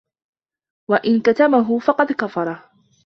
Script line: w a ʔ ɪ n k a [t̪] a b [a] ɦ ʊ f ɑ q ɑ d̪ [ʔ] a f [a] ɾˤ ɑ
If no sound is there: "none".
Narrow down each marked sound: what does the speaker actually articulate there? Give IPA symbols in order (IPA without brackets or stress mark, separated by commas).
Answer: t̪, a, k, ɑ